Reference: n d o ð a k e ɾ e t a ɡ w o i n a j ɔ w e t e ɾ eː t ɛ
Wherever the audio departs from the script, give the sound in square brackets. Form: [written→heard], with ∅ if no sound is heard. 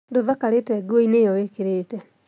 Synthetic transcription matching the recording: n d o ð a k [e→a] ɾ e t [a→ɛ] ɡ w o i n [a→e] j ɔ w e [t→k] e ɾ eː t ɛ